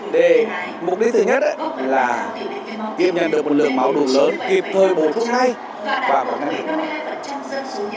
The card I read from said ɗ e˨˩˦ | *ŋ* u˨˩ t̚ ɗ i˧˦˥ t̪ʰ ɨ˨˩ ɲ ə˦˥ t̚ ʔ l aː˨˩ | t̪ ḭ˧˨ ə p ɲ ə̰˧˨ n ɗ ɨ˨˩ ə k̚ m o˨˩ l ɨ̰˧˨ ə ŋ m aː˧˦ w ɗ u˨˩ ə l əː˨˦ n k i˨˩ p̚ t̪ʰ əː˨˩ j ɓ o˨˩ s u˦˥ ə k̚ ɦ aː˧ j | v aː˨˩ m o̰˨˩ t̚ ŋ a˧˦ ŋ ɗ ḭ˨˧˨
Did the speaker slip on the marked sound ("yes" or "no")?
yes